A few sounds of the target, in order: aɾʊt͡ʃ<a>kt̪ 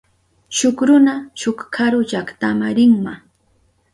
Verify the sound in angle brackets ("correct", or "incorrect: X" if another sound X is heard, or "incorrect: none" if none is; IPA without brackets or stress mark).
correct